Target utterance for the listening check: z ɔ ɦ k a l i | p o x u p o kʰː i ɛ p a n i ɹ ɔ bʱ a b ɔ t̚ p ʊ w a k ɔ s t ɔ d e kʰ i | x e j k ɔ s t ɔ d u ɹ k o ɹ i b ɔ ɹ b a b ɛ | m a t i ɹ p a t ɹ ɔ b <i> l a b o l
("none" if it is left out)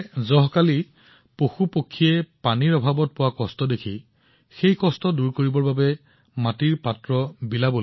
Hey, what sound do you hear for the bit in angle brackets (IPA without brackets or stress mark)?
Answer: i